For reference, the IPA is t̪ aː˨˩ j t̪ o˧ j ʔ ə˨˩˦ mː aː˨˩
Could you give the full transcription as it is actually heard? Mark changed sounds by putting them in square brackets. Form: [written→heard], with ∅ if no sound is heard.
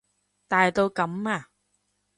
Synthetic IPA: t̪ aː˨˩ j t̪ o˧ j [ʔ→k] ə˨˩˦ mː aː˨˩